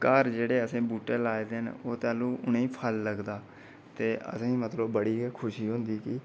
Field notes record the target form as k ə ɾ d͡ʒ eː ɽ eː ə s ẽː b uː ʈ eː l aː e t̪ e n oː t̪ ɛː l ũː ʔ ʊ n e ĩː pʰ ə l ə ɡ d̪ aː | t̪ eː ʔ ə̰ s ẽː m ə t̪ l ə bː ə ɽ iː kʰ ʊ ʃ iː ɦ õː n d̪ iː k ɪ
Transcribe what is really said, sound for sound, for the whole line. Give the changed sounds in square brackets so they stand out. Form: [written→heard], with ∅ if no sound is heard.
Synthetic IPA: k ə ɾ d͡ʒ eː ɽ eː ə s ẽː b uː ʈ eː l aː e [t̪→d̪] e n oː t̪ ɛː l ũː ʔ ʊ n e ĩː pʰ ə [l→lː] ə ɡ d̪ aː | t̪ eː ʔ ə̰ s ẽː m ə t̪ l ə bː ə ɽ iː kʰ ʊ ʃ iː ɦ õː n d̪ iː k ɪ